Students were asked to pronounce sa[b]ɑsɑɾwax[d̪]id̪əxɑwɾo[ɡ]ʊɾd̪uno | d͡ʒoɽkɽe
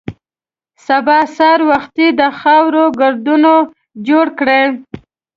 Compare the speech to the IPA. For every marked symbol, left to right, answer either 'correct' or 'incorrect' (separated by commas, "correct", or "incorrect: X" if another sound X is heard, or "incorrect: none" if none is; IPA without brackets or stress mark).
correct, incorrect: t̪, correct